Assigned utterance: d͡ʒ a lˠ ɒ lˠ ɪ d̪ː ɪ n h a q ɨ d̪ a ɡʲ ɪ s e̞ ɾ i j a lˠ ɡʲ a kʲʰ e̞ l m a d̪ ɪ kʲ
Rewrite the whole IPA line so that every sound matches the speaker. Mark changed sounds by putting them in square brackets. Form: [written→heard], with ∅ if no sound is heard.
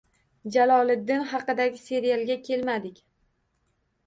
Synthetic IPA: d͡ʒ a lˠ ɒ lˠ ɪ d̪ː ɪ n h [a→ɑ] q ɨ d̪ a ɡʲ ɪ s e̞ ɾ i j a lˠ ɡʲ a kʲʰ e̞ l m a d̪ ɪ kʲ